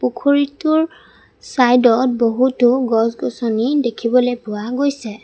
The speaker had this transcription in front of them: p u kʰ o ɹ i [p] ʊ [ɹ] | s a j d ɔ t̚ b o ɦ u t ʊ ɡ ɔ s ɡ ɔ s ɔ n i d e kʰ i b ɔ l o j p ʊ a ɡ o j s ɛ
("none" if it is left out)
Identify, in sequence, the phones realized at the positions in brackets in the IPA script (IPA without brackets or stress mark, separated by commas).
t, ɹ